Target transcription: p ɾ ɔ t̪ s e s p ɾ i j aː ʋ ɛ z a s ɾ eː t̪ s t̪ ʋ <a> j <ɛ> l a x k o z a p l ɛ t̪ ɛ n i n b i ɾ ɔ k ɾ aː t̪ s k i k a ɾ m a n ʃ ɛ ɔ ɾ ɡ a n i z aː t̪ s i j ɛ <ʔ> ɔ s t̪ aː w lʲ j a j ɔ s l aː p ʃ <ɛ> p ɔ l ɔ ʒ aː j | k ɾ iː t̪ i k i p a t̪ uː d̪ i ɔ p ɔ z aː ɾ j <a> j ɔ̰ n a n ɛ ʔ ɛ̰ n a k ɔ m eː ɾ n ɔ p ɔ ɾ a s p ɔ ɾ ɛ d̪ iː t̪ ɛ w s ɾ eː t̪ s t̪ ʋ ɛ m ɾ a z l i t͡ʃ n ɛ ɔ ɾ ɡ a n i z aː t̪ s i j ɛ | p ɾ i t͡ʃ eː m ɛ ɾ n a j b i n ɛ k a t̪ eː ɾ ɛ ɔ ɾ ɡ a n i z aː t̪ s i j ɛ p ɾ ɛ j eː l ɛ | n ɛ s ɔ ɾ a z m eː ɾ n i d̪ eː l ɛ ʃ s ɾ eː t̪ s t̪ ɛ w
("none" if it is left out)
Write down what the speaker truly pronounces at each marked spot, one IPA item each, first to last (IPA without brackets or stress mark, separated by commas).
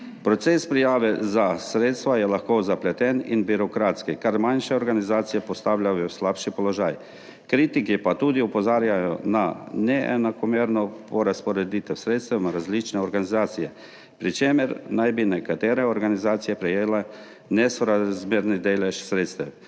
a, ɛ, p, i, a